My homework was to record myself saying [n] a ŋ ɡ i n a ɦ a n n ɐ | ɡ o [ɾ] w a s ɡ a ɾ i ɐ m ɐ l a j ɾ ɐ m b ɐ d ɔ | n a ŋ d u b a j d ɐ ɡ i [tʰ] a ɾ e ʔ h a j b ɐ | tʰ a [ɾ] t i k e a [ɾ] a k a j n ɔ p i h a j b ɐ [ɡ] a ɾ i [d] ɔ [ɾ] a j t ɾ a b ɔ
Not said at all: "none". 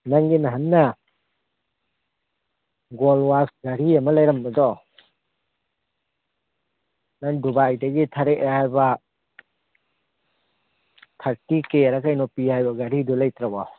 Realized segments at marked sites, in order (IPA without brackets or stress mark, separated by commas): n, l, tʰ, ɾ, ɾ, ɡ, d, l